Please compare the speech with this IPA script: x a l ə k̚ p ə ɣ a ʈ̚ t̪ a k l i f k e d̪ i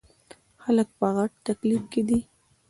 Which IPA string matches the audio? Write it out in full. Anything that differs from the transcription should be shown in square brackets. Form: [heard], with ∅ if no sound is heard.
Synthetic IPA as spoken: x a l ə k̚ p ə ɣ a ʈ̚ t̪ a k l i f k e d̪ i